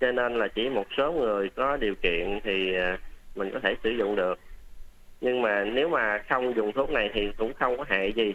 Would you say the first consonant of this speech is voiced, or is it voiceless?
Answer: voiceless